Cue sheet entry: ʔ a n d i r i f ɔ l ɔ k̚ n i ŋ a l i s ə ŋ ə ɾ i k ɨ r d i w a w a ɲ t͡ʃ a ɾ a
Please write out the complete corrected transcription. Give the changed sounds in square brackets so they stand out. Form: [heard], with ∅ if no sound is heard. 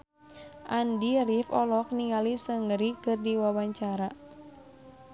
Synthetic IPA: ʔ a n d i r i f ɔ l ɔ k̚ n i ŋ a l i s ə ŋ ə ɾ i k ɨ r d i w a w a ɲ t͡ʃ a ɾ a